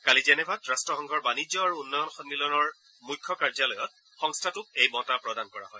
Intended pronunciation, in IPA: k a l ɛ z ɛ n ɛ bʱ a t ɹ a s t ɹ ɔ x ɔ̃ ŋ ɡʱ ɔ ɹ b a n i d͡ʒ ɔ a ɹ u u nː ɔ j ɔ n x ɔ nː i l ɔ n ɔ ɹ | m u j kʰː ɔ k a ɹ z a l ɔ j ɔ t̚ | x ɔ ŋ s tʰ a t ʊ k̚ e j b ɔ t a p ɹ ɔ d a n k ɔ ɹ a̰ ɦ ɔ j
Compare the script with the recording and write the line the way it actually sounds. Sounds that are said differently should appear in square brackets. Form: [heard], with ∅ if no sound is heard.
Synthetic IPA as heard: k a l [i] z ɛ n ɛ bʱ a t ɹ a s t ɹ ɔ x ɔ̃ ŋ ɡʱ ɔ ɹ b a n i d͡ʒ ɔ a ɹ u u nː ɔ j ɔ n x ɔ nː i l ɔ n ɔ ɹ | m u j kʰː ɔ k a ɹ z a l ɔ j ɔ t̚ | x ɔ ŋ s tʰ a t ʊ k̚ e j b ɔ t a p ɹ ɔ d a n k ɔ ɹ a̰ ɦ ɔ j